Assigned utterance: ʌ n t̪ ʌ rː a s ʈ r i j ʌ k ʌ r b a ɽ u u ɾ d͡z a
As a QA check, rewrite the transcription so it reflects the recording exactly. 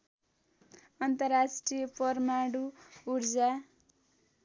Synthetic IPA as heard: ʌ n t̪ ʌ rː a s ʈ r i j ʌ p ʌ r m a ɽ u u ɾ d͡z a